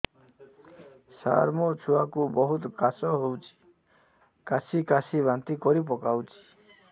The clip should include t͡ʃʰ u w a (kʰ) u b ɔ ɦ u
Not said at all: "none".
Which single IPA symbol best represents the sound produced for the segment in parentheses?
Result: k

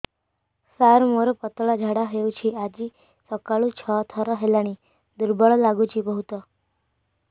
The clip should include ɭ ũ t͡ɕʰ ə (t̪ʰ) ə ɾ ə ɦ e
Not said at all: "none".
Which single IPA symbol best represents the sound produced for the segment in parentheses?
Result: t̪ʰ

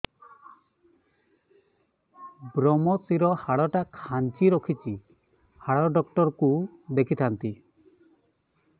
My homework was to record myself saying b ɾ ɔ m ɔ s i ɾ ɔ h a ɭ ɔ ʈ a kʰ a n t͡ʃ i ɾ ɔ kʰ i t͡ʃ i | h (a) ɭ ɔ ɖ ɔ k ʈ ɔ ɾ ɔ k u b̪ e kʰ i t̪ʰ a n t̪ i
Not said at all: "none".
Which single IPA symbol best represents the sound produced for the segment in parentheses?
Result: a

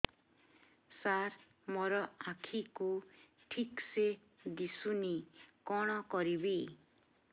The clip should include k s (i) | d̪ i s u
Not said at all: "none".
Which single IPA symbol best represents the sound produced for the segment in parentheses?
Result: e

